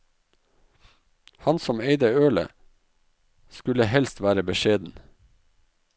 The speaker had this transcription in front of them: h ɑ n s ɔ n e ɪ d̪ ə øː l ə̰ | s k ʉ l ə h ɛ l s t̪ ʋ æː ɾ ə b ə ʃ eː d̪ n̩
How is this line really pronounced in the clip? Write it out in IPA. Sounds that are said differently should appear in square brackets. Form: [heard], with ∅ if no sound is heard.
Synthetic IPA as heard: h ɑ n s ɔ [m] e ɪ d̪ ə øː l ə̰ | s k ʉ l ə h ɛ l s t̪ ʋ æː ɾ ə b ə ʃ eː d̪ n̩

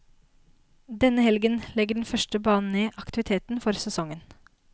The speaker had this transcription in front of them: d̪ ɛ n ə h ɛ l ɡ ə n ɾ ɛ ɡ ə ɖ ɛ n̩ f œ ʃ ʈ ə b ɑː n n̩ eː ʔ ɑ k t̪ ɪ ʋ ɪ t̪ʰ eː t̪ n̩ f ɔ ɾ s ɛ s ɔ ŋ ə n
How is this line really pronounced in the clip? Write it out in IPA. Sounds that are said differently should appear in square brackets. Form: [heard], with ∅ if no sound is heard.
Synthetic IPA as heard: d̪ ɛ n ə h ɛ l ɡ ə n [l] ɛ ɡ ə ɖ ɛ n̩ f œ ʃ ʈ ə b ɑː n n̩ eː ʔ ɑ k t̪ ɪ ʋ ɪ t̪ʰ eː t̪ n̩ f ɔ ɾ s ɛ s ɔ ŋ ə n

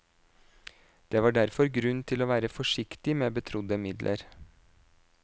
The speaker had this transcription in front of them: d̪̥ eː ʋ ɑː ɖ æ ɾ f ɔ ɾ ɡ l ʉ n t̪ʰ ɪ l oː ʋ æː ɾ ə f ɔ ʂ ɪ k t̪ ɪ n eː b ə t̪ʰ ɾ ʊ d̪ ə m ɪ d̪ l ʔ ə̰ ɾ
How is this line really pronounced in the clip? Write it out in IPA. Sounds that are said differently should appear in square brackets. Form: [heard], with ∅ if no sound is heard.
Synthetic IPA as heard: d̪̥ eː ʋ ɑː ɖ æ ɾ f ɔ ɾ ɡ [ɾ] ʉ n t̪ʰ ɪ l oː ʋ æː ɾ ə f ɔ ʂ ɪ k t̪ ɪ [m] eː b ə t̪ʰ ɾ ʊ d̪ ə m ɪ d̪ l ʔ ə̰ ɾ

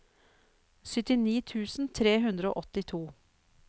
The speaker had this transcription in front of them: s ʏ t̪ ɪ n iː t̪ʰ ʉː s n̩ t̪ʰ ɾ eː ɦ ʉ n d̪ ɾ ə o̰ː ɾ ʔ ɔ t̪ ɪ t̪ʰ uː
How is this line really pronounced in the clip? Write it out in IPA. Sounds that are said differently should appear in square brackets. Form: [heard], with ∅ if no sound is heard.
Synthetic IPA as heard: s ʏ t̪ ɪ n iː t̪ʰ ʉː s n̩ t̪ʰ ɾ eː ɦ ʉ n d̪ ɾ ə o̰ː [∅] ʔ ɔ t̪ ɪ t̪ʰ uː

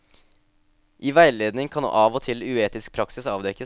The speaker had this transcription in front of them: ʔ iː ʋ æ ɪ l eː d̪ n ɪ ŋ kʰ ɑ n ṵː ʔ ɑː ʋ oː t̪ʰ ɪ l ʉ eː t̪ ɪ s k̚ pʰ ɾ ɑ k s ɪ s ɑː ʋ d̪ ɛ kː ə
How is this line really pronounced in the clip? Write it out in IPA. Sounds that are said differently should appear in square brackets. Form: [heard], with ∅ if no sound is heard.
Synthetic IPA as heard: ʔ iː ʋ æ ɪ l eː d̪ n ɪ ŋ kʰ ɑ n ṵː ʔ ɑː ʋ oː t̪ʰ ɪ l ʉ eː t̪ ɪ s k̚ pʰ ɾ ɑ k s ɪ s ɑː ʋ d̪ ɛ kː ə

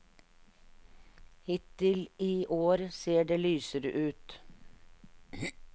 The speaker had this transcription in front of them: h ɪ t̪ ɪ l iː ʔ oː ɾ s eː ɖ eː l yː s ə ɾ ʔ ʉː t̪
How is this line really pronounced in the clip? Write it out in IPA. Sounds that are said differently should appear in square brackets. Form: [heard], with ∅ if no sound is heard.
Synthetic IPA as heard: h ɪ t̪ ɪ l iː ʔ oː ɾ s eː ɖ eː l yː s ə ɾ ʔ ʉː t̪

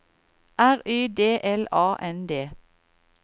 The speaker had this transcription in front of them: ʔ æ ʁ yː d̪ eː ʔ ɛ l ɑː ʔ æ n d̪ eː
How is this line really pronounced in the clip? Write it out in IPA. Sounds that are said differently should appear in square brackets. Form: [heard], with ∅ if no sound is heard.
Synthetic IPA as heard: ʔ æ ʁ yː d̪ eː ʔ ɛ l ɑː ʔ [ɛ] n d̪ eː

